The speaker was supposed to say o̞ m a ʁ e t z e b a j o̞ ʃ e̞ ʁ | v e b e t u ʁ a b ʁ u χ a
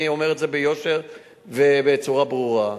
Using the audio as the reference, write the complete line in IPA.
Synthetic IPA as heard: o̞ m e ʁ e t z e b e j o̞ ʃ e̞ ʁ | v e b e t͡s u ʁ a b ʁ u ʁ a